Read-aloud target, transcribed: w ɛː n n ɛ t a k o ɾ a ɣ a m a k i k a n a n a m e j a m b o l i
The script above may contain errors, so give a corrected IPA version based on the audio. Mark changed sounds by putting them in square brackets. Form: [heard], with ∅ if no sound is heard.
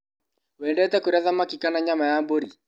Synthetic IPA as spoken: w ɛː n [d] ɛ t [ɛ] k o ɾ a [ð] a m a k i k a n a [ɲ] a m [a] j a m b o [ɾ] i